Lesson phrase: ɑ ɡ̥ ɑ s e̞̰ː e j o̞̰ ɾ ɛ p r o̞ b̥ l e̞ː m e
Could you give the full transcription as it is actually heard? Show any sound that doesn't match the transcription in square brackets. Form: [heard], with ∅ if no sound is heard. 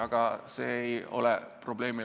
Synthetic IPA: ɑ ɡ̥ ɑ s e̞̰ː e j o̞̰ [l] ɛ p r o̞ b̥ l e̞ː m [i]

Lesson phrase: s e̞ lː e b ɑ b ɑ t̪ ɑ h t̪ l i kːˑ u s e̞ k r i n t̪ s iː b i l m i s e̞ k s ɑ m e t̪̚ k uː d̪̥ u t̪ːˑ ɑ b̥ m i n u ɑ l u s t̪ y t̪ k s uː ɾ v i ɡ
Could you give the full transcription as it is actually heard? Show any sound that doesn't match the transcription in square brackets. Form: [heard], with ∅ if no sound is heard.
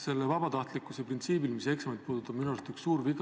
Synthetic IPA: s e̞ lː e [v] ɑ b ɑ t̪ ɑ h t̪ l i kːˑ u s e̞ [p] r i n t̪ s iː b i l m i s e̞ k s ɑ m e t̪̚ [p] uː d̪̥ u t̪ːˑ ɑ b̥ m i n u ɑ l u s t̪ y [∅] k s uː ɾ v i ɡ

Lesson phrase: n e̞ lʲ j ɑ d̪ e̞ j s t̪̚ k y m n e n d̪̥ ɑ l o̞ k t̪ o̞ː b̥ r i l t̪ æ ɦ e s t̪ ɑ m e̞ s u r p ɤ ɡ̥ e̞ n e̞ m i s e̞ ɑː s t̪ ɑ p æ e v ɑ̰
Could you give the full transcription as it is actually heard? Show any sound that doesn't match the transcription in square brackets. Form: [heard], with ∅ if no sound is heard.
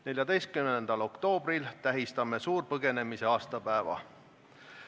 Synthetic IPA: n e̞ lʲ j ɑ d̪ e̞ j s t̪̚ k y m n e n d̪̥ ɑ l o̞ k t̪ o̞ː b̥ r i l t̪ æ ɦ [i] s t̪ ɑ m e̞ s [uː] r p ɤ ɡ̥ e̞ n e̞ m i s e̞ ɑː s t̪ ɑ p æ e v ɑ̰

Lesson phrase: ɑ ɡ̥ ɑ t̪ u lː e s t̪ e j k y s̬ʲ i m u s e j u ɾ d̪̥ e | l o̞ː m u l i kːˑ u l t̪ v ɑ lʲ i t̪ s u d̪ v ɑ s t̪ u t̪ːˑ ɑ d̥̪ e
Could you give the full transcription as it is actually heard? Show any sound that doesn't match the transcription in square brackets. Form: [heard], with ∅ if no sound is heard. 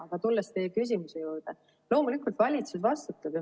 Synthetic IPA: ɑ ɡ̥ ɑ t̪ u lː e s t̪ e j k y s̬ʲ i m u s e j [uː] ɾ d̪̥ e | l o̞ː m u l i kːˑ u l t̪ v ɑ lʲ i t̪ s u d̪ v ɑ s t̪ u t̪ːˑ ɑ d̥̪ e

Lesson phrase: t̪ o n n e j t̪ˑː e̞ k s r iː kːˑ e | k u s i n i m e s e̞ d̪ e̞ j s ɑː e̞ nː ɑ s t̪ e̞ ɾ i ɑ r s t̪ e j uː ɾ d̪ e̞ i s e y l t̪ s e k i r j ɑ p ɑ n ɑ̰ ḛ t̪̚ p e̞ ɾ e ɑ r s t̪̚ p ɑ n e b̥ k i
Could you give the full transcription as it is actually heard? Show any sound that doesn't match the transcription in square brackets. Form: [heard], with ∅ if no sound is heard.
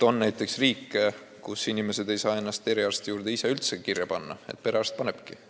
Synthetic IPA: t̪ o n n [æ] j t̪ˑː e̞ k s r iː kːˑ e | k u s i n i m e s e̞ d̪ e̞ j s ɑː e̞ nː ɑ s t̪ e̞ ɾ i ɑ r s t̪ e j uː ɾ d̪ e̞ i s e y l t̪ s e k i r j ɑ p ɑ [nː] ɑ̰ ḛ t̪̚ p e̞ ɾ e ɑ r s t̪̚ p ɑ n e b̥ k i

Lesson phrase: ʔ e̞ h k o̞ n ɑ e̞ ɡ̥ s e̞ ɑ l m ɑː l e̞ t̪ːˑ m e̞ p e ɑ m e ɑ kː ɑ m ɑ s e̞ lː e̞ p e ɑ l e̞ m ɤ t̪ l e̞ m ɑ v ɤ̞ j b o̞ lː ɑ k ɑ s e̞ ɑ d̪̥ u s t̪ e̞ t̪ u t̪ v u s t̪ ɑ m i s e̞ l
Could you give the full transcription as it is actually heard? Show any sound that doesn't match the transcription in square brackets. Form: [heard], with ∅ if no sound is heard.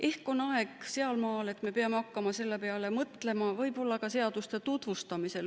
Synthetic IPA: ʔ e̞ h k o̞ n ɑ e̞ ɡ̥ s e̞ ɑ l m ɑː l e̞ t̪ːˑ m e̞ p e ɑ m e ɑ kː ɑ m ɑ s e̞ lː e̞ p e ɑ l e̞ m ɤ t̪ l e̞ m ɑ v ɤ̞ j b o̞ lː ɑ k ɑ s e̞ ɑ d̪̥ u s t̪ e̞ t̪ u t̪ v u s t̪ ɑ m i s e̞ l

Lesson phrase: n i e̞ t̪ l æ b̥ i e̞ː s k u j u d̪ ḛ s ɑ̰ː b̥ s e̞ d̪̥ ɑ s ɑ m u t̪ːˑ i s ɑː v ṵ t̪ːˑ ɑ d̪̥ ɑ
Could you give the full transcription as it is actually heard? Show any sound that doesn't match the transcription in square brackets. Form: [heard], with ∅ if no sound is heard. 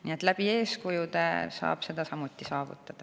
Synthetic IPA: n i e̞ t̪ l æ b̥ i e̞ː s k u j u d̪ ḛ s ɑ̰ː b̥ s e̞ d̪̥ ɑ s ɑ m u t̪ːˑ i s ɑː v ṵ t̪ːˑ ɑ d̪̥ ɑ

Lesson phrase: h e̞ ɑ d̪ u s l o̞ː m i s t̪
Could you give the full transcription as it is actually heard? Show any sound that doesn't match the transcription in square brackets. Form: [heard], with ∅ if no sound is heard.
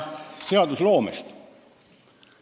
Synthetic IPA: [s] e̞ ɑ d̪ u s l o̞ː m [e] s t̪

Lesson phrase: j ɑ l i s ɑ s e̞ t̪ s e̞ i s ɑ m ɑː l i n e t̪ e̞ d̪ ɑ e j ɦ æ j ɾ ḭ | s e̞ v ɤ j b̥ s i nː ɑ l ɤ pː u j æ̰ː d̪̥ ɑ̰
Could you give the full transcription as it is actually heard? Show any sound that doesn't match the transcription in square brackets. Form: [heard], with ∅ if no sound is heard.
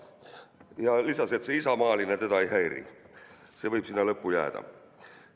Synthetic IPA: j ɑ l i s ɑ s e̞ t̪ s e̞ i s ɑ m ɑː l i n e t̪ e̞ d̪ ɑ e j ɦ æ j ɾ ḭ | s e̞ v ɤ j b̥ s i nː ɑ l ɤ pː u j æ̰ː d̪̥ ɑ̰

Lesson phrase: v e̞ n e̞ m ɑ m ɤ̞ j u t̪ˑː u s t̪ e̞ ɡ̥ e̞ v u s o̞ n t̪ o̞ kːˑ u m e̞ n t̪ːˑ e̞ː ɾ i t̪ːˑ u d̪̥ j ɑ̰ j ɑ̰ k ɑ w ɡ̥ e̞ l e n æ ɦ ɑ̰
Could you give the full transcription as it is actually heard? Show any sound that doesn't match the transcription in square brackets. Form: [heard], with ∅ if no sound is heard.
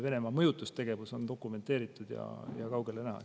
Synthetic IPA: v e̞ n e̞ m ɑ m ɤ̞ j u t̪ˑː u s t̪ e̞ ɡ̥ e̞ v u s o̞ n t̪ o̞ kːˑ u m e̞ n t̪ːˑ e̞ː ɾ i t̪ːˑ u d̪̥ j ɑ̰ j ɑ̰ k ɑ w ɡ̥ e̞ l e n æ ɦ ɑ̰

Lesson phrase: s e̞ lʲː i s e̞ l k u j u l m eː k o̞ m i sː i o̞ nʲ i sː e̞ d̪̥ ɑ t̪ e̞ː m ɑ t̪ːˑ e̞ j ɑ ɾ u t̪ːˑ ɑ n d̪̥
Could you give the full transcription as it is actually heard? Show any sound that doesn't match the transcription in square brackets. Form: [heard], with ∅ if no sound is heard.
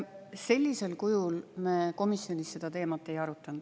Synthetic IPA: s e̞ lʲː i s e̞ l k u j u l m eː k o̞ m i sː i o̞ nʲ i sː e̞ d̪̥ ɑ t̪ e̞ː m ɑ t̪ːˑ e̞ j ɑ ɾ u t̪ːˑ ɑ n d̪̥

